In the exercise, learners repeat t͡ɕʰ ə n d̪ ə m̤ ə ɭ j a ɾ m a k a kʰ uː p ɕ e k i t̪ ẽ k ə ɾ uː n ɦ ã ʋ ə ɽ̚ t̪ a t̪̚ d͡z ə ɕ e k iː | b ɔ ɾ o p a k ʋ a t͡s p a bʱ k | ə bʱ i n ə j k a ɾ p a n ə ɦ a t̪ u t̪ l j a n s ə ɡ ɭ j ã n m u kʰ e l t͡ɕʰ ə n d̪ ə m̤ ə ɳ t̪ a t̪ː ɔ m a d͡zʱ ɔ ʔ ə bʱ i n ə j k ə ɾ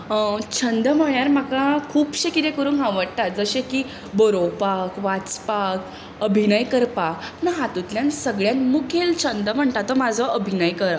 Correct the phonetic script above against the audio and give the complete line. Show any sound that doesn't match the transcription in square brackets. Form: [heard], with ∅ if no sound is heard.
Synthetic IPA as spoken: t͡ɕʰ ə n d̪ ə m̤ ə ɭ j a ɾ m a k a kʰ uː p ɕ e k i t̪ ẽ k ə ɾ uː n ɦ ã ʋ ə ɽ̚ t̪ a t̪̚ d͡z ə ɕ e k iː | b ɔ ɾ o p a k ʋ a t͡s p a [∅] k | ə bʱ i n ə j k [ə] ɾ p a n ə ɦ a t̪ u t̪ l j a n s ə ɡ ɭ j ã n m u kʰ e l t͡ɕʰ ə n d̪ ə m̤ ə ɳ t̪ a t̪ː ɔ m a d͡zʱ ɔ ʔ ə bʱ i n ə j k ə ɾ